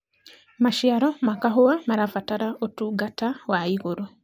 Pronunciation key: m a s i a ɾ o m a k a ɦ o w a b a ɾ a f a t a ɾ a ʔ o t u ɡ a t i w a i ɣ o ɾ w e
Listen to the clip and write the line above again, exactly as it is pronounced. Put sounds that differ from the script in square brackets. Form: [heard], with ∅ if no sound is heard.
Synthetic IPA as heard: m a [ʃ] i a ɾ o m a k a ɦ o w a [m] a ɾ a f a t a ɾ a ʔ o t u ɡ a t [a] w a i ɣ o ɾ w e